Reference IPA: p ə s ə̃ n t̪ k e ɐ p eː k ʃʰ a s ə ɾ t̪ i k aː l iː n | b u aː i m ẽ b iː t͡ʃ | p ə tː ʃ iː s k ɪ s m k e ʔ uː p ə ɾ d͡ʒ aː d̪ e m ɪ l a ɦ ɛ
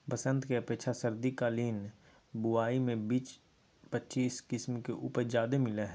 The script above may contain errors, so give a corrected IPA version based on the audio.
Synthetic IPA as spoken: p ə s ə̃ n t̪ k e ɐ p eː k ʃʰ a s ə ɾ d̪ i k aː l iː n | b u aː i m ẽ b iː t͡ʃ | p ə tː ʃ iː s k ɪ s m k e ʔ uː p ə ɾ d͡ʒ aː d̪ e m ɪ l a ɦ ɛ

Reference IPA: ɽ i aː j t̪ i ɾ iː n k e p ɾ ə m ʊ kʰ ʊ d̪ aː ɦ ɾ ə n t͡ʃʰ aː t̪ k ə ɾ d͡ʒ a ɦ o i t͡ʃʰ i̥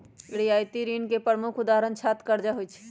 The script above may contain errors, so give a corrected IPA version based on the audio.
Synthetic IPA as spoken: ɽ i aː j t̪ i ɾ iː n k e p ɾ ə m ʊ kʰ ʊ d̪ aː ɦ ɾ ə n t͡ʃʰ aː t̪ k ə ɾ d͡ʒ a ɦ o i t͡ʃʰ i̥

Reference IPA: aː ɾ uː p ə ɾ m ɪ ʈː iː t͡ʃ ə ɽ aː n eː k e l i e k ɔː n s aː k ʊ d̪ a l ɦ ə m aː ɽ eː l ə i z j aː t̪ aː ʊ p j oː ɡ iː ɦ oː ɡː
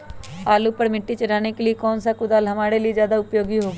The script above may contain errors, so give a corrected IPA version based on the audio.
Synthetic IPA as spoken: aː l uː p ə ɾ m ɪ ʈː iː t͡ʃ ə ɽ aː n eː k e l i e k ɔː n s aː k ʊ d̪ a l ɦ ə m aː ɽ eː l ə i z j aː d̪ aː ʊ p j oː ɡ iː ɦ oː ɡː

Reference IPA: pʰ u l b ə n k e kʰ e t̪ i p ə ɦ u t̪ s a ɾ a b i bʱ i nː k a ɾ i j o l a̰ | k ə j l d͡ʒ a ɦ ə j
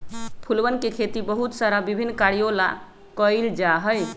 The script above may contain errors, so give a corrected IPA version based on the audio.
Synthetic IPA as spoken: pʰ u l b ə n k e kʰ e t̪ i b ə ɦ u t̪ s a ɾ a b i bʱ i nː k a ɾ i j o l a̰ | k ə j l d͡ʒ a ɦ ə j

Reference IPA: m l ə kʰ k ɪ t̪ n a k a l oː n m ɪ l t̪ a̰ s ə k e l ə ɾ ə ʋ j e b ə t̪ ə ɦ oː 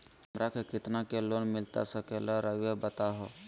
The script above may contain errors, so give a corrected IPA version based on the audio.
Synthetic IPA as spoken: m ɾ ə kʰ k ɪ t̪ n a k e l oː n m ɪ l t̪ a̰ s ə k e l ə ɾ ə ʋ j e b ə t̪ a ɦ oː

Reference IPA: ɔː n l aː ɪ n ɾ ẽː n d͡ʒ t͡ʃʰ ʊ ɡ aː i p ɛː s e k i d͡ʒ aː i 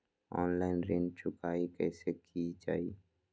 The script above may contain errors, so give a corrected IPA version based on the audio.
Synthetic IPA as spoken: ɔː n l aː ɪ n ɾ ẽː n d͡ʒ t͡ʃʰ ʊ k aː i k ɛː s e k i d͡ʒ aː i

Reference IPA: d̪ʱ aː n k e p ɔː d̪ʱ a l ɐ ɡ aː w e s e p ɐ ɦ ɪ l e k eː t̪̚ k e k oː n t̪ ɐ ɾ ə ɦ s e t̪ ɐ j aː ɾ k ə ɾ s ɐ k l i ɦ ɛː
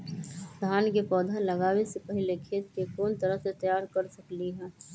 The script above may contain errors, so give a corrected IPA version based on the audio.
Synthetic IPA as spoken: d̪ʱ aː n k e p ɔː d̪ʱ a l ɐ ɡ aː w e s e p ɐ ɦ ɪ l e kʰ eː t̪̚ k e k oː n t̪ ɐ ɾ ə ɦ s e t̪ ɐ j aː ɾ k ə ɾ s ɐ k l i ɦ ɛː

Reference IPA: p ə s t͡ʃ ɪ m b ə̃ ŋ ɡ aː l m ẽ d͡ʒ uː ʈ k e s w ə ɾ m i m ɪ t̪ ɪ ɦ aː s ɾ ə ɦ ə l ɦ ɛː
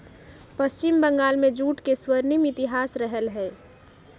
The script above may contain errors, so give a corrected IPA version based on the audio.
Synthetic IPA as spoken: p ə s t͡ʃ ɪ m b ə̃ ŋ ɡ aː l m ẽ d͡ʒ uː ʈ k e s w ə ɾ n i m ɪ t̪ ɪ ɦ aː s ɾ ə ɦ ə l ɦ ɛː

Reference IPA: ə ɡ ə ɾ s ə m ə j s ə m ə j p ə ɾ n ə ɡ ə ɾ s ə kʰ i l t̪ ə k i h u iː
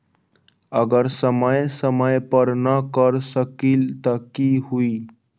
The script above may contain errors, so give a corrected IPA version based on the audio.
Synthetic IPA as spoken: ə ɡ ə ɾ s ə m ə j s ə m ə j p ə ɾ n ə k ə ɾ s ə k i l t̪ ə k i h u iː

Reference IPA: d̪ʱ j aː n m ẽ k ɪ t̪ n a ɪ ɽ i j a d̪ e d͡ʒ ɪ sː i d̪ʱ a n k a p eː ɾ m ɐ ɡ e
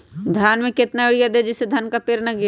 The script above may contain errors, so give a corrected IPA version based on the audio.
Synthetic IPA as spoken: d̪ʱ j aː n m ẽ k ɪ t̪ n a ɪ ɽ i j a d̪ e d͡ʒ ɪ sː e d̪ʱ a n k a p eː ɾ n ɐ ɡ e

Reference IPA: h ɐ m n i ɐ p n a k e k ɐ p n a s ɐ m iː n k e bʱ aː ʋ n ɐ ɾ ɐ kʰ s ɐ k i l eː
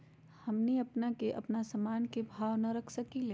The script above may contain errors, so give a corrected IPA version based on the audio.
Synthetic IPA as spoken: h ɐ m n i ɐ p n a k e ʔ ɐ p n a s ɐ m aː n k e bʱ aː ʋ n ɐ ɾ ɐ kʰ s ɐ k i l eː

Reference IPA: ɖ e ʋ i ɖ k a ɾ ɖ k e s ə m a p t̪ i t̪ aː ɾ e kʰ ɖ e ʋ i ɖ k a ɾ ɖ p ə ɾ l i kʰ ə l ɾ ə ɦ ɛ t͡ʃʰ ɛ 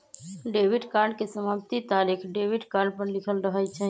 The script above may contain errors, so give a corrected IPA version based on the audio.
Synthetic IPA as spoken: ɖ e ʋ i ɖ k a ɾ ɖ k e s ə m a p t̪ i t̪ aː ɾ i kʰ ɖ e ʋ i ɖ k a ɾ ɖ p ə ɾ l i kʰ ə l ɾ ə ɦ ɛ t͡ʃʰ ɛ

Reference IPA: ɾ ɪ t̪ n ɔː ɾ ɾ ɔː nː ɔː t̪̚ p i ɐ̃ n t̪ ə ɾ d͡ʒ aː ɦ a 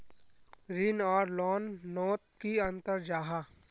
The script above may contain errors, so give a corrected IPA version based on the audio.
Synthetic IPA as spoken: ɾ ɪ n ɔː ɾ l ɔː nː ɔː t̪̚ k i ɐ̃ n t̪ ə ɾ d͡ʒ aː ɦ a

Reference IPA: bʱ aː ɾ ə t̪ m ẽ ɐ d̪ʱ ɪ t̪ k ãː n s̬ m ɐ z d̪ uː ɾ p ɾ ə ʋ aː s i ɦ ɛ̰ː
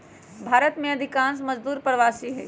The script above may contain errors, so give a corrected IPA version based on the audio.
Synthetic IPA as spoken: bʱ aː ɾ ə t̪ m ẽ ɐ d̪ʱ ɪ k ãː n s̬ m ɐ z d̪ uː ɾ p ɾ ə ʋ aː s i ɦ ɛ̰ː

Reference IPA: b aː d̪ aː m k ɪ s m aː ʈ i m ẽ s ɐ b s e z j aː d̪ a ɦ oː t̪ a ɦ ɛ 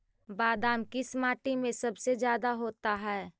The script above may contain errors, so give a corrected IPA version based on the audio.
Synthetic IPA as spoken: b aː d̪ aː m k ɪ s m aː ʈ i m ẽ s ɐ b s e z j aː d̪ a ɦ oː t̪ a ɦ ɛː

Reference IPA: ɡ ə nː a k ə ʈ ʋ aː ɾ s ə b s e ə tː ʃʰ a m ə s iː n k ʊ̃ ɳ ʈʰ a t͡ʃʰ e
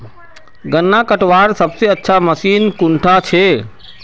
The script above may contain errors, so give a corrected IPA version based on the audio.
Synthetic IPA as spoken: ɡ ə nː a k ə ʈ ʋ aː ɾ s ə b s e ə tː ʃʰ a m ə s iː n k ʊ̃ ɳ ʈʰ a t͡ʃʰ e

